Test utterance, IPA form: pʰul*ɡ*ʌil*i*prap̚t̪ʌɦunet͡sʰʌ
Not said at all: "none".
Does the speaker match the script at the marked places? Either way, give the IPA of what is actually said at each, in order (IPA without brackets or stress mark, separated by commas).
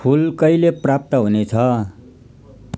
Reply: k, e